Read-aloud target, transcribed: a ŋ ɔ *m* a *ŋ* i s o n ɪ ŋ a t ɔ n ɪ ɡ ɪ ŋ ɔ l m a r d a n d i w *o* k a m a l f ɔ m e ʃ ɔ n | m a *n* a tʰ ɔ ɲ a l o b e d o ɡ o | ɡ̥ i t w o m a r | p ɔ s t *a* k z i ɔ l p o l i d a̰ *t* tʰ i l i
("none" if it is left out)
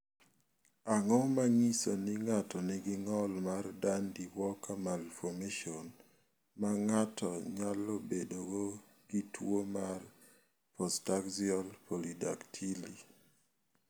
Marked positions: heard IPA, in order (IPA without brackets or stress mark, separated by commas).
m, ŋ, ɔ, ŋ, a, k